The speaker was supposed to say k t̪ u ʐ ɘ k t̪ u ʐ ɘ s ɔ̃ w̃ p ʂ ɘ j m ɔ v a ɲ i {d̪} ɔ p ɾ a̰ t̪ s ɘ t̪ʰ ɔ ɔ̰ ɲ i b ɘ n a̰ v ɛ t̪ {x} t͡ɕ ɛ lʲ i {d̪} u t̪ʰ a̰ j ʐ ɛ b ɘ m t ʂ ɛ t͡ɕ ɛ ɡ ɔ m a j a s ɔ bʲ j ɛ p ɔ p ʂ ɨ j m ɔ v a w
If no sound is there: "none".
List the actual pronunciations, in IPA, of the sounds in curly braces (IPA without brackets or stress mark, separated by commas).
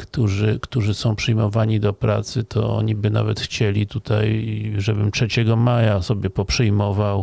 d̪, x, t̪